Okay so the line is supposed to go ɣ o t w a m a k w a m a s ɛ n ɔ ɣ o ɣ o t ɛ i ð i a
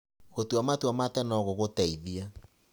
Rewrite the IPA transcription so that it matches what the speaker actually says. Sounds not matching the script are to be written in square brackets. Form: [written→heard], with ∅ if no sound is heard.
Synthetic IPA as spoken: ɣ o t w a m a [k→t] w a m a [s→t] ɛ n ɔ ɣ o ɣ o t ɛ i ð i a